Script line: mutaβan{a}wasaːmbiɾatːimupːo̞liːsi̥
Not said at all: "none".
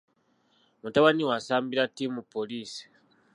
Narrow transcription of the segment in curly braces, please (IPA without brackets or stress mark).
i